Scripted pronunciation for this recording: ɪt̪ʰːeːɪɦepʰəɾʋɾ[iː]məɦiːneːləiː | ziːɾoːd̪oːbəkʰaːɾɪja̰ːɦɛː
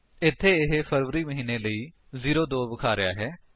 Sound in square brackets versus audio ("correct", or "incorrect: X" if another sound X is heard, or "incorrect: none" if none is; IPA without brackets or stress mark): correct